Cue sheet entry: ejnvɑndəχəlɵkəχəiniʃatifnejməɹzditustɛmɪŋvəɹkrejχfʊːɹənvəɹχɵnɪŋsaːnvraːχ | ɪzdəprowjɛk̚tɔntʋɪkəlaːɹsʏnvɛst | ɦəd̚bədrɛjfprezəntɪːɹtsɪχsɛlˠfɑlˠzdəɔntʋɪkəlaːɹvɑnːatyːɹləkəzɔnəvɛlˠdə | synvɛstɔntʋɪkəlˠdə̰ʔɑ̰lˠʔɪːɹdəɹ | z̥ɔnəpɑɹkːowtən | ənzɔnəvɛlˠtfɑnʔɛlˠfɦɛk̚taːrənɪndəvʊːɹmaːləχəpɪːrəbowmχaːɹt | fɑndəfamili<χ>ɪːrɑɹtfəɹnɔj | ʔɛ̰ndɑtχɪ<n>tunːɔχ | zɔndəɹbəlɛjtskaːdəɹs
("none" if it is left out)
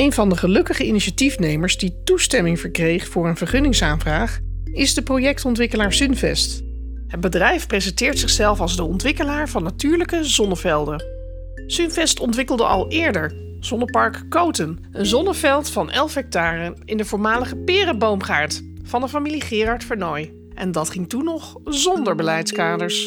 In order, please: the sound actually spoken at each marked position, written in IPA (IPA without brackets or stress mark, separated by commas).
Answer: χ, ŋ